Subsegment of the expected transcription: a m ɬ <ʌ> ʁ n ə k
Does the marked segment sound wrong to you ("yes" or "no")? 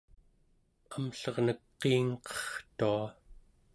no